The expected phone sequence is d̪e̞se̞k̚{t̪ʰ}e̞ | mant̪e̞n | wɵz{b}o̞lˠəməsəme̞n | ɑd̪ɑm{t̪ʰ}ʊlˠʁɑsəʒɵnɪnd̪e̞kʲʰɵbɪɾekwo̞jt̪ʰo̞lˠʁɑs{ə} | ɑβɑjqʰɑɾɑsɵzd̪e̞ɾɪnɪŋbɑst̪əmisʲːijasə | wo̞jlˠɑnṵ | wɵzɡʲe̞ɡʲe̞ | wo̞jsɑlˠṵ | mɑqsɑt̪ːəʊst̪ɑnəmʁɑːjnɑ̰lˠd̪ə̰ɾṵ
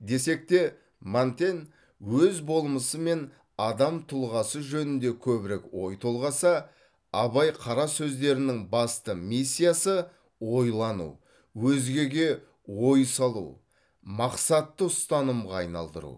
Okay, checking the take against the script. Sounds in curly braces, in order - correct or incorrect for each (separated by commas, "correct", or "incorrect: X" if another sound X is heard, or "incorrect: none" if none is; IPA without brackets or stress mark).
incorrect: t̪, correct, correct, incorrect: ɑ